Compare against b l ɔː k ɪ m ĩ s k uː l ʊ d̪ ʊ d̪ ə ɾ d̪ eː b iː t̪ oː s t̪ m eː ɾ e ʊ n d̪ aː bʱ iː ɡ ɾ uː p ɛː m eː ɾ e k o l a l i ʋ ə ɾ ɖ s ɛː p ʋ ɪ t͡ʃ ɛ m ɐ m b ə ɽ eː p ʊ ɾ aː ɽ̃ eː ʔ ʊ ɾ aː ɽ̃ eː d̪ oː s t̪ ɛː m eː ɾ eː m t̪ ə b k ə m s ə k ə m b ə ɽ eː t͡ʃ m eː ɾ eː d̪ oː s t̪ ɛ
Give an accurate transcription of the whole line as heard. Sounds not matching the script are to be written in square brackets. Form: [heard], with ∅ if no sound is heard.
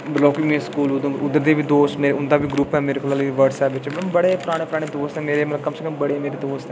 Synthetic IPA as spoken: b l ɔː k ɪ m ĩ s k uː l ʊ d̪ ʊ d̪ ə ɾ d̪ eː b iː [d̪] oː s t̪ m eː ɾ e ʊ n d̪ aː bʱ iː ɡ ɾ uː p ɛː m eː ɾ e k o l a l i ʋ ə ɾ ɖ s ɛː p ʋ ɪ t͡ʃ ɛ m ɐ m b ə ɽ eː p ʊ ɾ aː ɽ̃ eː [p] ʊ ɾ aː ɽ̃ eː d̪ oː s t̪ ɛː m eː ɾ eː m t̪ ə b k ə m s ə k ə m b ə ɽ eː [∅] m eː ɾ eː d̪ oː s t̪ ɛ